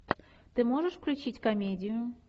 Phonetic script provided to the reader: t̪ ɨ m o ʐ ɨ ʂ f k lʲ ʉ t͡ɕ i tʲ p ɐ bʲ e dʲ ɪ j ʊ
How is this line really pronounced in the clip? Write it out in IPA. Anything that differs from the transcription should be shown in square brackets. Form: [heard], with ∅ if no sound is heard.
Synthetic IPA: t̪ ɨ m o ʐ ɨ ʂ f k lʲ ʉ t͡ɕ i tʲ [k] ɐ [mʲ] e dʲ ɪ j ʊ

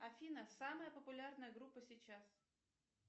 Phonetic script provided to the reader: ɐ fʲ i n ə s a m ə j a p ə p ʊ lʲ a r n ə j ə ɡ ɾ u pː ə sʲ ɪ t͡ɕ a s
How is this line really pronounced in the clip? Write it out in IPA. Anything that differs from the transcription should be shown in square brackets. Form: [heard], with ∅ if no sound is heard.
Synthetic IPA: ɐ fʲ i n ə s a m ə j [ə] p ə p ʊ lʲ a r n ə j ə ɡ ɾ u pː ə sʲ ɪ t͡ɕ a s

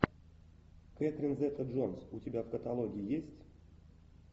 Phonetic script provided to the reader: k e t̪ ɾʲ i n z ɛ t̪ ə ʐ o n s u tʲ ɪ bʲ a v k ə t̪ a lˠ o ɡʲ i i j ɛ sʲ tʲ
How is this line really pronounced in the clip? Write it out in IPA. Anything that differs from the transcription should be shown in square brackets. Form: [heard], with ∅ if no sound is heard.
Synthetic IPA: k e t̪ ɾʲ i n z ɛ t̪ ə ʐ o n s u tʲ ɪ bʲ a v k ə t̪ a lˠ o ɡʲ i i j [e] sʲ tʲ

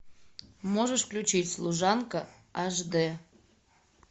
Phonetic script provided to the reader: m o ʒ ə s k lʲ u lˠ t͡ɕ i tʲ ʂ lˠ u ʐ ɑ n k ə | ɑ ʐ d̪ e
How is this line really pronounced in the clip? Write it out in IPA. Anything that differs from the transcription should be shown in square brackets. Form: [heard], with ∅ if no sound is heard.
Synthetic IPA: m o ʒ ə [ʃ] k lʲ u [∅] t͡ɕ i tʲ [s] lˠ u [ʒ] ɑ n k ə | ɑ [ʒ] d̪ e

